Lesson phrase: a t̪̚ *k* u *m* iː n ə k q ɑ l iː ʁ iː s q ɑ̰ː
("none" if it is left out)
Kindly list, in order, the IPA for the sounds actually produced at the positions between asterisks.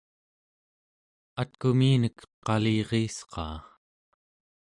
k, m

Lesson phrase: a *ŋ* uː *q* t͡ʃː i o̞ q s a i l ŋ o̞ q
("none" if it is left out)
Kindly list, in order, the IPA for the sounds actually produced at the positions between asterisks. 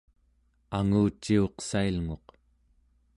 ŋ, none

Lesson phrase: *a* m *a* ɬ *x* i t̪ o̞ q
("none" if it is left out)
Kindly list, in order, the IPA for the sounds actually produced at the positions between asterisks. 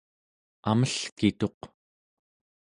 a, ə, k

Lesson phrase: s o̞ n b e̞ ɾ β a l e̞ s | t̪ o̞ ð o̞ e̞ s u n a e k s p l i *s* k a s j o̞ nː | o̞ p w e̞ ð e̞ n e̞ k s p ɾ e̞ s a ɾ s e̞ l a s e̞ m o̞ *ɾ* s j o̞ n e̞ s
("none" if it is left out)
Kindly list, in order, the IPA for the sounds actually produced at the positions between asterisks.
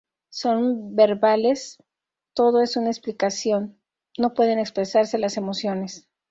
none, none

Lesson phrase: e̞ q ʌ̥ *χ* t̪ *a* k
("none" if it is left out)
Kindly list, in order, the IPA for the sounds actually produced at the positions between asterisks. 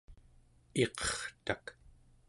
χ, a

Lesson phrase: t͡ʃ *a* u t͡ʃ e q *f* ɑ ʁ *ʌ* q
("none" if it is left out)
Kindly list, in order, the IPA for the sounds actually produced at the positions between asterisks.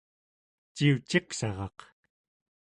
i, s, ɑ

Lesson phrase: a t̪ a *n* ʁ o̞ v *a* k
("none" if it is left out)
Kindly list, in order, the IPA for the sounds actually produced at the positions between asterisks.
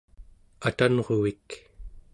n, i

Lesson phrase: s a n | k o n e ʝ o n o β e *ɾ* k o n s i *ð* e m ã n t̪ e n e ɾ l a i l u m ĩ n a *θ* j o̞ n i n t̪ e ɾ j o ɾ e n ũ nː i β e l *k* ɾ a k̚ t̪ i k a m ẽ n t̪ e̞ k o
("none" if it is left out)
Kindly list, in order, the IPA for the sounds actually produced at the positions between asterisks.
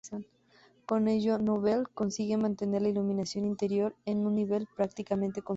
l, ɣ, s, p

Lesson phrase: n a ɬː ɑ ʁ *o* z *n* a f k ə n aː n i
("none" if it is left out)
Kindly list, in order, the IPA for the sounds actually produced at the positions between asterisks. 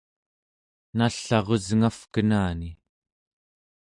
o, ŋ

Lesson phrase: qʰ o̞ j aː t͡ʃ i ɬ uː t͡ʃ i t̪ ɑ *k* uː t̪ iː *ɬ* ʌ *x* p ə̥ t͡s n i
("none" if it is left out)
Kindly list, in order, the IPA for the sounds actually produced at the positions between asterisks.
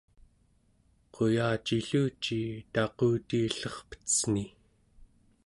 q, ɬ, χ

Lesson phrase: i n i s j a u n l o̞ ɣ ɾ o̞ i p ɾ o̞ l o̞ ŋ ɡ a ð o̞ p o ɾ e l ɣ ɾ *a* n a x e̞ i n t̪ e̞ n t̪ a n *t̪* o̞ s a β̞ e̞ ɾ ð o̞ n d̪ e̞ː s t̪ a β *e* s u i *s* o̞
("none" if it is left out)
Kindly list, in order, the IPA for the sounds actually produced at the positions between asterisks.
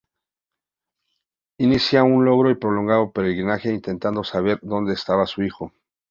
i, d̪, a, x

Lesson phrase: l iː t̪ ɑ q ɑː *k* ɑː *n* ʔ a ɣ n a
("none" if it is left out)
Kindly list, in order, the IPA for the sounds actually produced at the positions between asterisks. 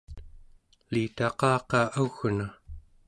q, none

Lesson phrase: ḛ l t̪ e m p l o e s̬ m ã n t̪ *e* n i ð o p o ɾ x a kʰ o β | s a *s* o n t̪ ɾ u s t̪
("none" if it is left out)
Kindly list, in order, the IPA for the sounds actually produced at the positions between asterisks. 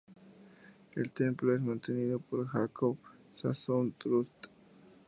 e, s

